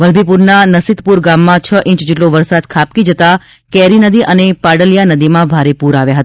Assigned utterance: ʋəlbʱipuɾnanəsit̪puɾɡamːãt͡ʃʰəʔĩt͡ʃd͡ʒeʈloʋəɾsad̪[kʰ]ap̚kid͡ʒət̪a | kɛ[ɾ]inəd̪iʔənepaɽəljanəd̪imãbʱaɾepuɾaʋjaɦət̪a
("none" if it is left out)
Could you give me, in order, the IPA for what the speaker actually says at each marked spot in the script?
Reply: kʰ, ɾ

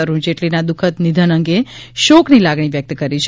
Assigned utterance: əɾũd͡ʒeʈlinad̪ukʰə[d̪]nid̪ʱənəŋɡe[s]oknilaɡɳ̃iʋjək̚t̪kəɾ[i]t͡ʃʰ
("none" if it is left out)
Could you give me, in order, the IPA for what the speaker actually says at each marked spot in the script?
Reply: t̪, ʃ, i

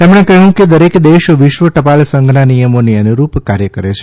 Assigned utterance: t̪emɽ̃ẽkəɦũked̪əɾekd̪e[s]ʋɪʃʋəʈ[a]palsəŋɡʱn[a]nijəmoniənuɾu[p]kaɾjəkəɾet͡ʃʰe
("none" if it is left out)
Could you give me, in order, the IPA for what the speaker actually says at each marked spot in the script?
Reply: ʃ, ə, a, p

